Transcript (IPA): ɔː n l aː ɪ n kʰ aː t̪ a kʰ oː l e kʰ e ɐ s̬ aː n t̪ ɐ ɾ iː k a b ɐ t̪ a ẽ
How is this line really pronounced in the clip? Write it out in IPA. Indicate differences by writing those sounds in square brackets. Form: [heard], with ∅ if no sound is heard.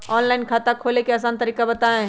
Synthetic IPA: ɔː n l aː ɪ n kʰ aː t̪ a kʰ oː l e [k] e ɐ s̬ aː n t̪ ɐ ɾ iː k a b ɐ t̪ a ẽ